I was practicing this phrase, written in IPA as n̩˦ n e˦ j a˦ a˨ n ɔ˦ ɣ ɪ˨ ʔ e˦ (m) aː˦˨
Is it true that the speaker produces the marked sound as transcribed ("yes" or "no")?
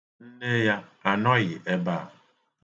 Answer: no